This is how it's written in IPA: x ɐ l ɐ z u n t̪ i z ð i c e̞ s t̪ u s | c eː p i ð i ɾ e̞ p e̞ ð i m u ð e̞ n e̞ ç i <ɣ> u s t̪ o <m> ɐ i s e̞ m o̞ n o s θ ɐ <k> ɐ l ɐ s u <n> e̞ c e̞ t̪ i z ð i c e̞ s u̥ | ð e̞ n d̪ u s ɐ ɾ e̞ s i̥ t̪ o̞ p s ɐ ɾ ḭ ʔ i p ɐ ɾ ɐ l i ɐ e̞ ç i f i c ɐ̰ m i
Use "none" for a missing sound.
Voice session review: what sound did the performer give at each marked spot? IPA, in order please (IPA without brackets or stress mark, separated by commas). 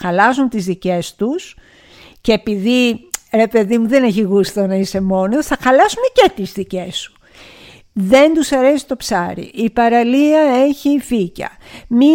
ɣ, n, x, m